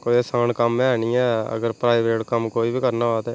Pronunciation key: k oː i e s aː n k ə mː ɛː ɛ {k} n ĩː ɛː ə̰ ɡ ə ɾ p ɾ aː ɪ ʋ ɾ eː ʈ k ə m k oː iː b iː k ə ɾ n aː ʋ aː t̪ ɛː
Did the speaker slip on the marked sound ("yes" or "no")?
yes